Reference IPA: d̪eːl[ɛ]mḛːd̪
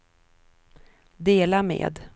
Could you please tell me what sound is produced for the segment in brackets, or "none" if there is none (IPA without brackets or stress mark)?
a